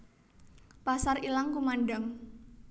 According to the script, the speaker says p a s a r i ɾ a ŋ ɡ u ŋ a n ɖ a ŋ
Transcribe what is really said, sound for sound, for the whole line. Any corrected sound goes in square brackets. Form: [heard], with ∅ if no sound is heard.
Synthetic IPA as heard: p a s a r i [l] a ŋ [k] u [m] a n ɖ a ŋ